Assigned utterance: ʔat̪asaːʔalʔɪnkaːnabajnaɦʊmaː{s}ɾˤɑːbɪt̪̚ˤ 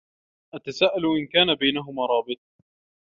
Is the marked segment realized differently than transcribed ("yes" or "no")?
yes